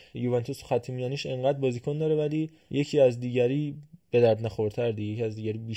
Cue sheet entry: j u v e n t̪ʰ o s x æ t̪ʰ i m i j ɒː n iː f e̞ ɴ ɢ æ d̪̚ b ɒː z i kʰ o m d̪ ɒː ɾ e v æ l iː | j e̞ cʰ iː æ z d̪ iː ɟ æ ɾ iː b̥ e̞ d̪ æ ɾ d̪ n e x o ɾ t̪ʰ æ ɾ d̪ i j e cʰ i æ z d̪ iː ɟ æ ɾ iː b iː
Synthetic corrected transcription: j u v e n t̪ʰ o s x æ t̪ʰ i m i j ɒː n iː ʃ e̞ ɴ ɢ æ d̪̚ b ɒː z i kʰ o n d̪ ɒː ɾ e v æ l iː | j e̞ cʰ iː æ z d̪ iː ɟ æ ɾ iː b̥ e̞ d̪ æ ɾ d̪ n æ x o ɾ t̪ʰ æ ɾ d̪ i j e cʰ i æ z d̪ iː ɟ æ ɾ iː b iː